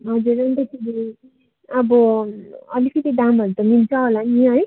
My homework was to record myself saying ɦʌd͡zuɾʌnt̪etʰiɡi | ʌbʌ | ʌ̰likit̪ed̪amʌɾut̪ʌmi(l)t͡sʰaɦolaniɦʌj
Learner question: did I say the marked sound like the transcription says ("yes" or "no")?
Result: yes